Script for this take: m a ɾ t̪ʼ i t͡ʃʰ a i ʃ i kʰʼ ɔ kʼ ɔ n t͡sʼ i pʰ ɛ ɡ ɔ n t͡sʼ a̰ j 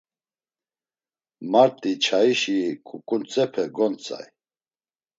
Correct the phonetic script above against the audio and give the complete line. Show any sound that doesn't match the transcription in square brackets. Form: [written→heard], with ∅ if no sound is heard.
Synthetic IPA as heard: m a ɾ t̪ʼ i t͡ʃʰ a i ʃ i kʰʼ [ɔ→u] kʼ [ɔ→u] n t͡sʼ [i→ɛ] pʰ ɛ ɡ ɔ n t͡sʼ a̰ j